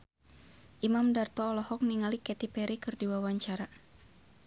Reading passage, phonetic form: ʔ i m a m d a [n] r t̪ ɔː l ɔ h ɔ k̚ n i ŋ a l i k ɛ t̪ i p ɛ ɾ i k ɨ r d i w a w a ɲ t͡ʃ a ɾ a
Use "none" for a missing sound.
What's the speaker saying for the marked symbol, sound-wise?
none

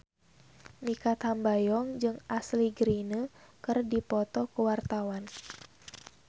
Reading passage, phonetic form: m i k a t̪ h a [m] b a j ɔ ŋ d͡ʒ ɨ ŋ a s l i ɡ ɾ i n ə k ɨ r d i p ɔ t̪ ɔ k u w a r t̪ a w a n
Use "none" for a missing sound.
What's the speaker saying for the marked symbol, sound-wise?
m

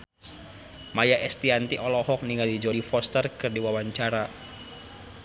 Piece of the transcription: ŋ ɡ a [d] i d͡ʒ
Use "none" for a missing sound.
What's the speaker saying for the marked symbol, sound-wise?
d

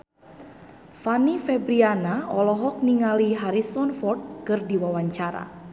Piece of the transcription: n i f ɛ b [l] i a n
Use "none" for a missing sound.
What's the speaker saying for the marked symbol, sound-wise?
ɾ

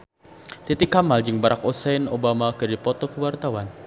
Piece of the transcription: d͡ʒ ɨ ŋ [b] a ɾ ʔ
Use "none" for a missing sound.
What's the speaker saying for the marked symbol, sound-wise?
b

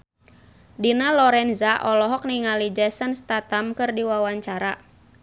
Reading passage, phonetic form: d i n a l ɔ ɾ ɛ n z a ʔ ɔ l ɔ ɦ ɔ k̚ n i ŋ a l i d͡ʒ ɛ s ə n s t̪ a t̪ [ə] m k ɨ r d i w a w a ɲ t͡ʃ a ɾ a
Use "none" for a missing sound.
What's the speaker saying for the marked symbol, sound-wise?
a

